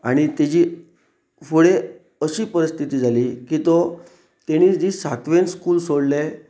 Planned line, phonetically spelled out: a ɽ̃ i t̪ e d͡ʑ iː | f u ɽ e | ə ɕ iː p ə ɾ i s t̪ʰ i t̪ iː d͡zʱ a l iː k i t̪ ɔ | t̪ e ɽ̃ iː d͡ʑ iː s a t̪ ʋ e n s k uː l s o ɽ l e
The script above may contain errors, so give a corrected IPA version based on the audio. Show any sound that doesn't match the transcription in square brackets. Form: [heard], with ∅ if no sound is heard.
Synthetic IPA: a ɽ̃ i t̪ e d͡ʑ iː | f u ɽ e | ə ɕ iː p ə ɾ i s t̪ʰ i t̪ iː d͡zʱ a l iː k i t̪ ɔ | t̪ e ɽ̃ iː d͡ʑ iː s a t̪ ʋ e n s k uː l s o ɽ l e